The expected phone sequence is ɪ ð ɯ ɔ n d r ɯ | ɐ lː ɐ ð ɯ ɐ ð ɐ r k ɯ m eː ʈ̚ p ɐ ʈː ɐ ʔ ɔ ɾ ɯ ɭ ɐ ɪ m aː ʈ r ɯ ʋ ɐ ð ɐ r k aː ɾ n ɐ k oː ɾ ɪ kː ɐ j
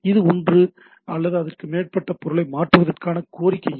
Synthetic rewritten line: ɪ ð ɯ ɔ n d r ɯ | ɐ lː ɐ ð ɯ ɐ ð ɐ r k ɯ m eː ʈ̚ p ɐ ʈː ɐ p ɔ ɾ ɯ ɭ ɐ ɪ m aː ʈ r ɯ ʋ ɐ ð ɐ r k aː n ɐ k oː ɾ ɪ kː ɐ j